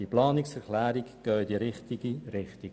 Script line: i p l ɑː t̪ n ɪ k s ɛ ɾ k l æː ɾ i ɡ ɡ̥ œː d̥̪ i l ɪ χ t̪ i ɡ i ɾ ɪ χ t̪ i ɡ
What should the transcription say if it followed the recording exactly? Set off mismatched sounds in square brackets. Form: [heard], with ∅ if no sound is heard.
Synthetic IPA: i p l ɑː [∅] n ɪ k s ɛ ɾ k l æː ɾ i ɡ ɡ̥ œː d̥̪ i [ɾ] ɪ χ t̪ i ɡ i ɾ ɪ χ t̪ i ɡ